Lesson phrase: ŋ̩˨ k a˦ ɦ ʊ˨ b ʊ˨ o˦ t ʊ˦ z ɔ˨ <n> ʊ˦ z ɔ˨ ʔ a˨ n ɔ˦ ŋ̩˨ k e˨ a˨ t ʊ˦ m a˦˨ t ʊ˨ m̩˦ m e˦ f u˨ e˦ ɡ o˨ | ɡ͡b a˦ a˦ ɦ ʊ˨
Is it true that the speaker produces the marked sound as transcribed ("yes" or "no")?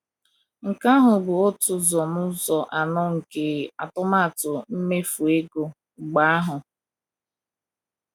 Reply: no